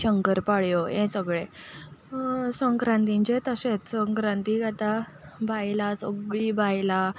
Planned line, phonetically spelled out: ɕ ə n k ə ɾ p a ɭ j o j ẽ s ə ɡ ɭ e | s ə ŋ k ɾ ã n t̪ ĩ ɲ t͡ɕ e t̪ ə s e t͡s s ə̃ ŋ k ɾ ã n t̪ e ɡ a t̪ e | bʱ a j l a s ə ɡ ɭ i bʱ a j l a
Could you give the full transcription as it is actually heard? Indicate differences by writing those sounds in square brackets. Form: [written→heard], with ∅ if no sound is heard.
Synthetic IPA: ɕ ə [n→ŋ] k ə ɾ p a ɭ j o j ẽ s ə ɡ ɭ e | s ə ŋ k ɾ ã n t̪ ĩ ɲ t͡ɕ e t̪ ə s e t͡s s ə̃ ŋ k ɾ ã n t̪ [e→i] ɡ a t̪ [e→a] | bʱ a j l a s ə ɡ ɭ i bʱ a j l a